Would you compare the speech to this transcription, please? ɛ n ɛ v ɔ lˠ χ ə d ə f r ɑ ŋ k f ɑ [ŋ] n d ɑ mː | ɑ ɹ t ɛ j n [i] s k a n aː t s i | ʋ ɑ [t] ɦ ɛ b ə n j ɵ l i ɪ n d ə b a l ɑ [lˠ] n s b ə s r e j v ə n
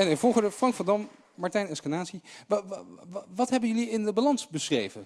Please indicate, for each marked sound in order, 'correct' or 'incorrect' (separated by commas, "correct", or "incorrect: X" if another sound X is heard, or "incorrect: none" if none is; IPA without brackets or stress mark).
incorrect: none, incorrect: ɛ, correct, incorrect: none